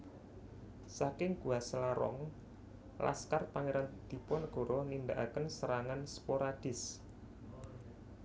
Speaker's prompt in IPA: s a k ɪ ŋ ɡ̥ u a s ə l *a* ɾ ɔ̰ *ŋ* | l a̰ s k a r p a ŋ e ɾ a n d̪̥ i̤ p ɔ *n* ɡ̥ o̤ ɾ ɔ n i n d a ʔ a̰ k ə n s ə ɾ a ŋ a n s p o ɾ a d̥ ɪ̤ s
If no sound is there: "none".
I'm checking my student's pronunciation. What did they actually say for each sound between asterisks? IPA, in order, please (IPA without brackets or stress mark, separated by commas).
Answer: a, ŋ, n